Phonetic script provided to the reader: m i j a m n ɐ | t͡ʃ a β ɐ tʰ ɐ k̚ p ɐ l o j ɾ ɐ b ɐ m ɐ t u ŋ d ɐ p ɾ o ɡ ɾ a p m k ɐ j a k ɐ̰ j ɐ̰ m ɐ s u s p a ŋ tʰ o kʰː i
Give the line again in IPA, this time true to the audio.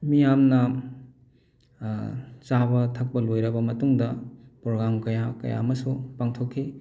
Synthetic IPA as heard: m i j a m n ɐ | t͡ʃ a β ɐ tʰ ɐ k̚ p ɐ l o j ɾ ɐ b ɐ m ɐ t u ŋ d ɐ p ɾ o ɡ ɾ a m k ɐ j a k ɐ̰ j a̰ m ɐ s u p a ŋ tʰ o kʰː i